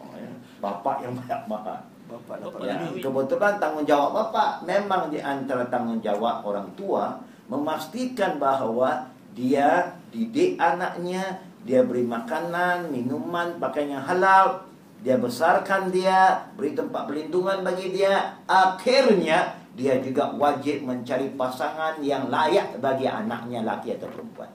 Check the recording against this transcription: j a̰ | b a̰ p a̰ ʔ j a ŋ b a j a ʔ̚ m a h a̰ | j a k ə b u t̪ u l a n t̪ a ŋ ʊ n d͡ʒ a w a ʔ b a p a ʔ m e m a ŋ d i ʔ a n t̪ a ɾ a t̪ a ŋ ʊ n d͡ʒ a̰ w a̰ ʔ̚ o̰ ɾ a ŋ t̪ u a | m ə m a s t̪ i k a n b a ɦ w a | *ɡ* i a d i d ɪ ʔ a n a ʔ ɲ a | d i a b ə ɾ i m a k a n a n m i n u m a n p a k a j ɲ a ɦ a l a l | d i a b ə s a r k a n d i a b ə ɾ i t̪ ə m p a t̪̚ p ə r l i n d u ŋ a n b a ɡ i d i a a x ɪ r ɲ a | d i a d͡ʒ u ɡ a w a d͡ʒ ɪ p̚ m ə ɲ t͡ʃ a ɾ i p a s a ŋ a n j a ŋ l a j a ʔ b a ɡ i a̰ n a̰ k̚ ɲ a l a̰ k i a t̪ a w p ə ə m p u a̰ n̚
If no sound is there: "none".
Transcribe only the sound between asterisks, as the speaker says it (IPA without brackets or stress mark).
d